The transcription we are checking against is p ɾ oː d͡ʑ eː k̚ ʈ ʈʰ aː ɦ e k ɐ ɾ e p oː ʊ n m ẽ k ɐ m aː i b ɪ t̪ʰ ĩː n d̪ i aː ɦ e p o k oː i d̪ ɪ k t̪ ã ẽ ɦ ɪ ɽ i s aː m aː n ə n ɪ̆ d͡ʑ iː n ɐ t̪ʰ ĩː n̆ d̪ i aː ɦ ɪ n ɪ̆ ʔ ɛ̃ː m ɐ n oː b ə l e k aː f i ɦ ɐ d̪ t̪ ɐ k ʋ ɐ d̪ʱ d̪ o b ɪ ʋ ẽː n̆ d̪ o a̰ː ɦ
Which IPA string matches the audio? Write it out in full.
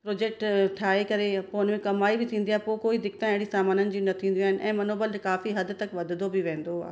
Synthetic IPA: p ɾ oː d͡ʑ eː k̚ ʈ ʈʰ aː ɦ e k ɐ ɾ e p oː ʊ n m ẽ k ɐ m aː i b ɪ t̪ʰ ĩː n d̪ i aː ɦ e p o k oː i d̪ ɪ k t̪ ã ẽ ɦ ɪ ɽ i s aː m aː n ə n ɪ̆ d͡ʑ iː n ɐ t̪ʰ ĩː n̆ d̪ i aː ɦ ɪ n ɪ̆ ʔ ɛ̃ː m ɐ n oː b ə l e k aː f i ɦ ɐ d̪ t̪ ɐ k ʋ ɐ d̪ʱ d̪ o b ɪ ʋ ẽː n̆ d̪ o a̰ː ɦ